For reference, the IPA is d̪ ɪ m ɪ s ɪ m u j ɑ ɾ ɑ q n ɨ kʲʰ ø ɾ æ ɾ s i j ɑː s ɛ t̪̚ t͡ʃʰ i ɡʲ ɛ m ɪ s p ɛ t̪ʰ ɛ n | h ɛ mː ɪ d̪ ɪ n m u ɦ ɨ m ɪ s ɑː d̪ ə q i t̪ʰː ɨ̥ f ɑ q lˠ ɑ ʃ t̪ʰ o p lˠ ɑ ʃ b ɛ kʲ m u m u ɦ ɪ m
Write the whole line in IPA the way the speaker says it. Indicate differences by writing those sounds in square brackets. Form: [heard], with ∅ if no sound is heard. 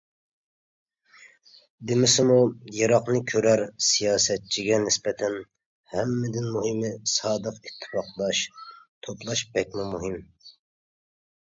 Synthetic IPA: d̪ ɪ m ɪ s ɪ m u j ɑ ɾ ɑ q n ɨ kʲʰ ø ɾ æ ɾ s i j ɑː s ɛ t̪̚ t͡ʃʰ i ɡʲ ɛ [n] ɪ s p ɛ t̪ʰ ɛ n | h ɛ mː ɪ d̪ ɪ n m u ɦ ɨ m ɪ s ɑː d̪ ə q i t̪ʰː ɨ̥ f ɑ q lˠ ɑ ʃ t̪ʰ o p lˠ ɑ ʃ b ɛ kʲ m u m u ɦ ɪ m